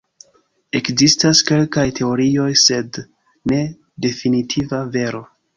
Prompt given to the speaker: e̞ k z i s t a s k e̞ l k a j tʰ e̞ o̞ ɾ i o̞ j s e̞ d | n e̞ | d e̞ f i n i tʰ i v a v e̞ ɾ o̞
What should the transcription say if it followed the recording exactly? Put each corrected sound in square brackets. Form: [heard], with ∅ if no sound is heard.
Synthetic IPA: e̞ k z i s t a s k e̞ l k a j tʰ e̞ o̞ ɾ i o̞ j s e̞ d | n e̞ | d e̞ f i n i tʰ i v a v e̞ ɾ o̞